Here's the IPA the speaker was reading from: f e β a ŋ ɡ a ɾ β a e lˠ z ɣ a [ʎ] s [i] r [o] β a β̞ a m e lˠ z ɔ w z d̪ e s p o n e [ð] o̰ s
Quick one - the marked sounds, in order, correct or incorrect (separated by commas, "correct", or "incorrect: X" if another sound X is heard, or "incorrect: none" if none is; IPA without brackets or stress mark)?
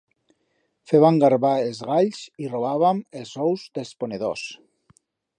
correct, correct, correct, correct